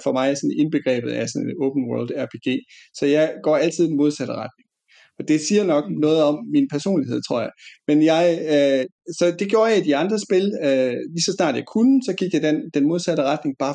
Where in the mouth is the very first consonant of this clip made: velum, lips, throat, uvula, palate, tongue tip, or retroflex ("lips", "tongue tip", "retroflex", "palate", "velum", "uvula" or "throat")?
lips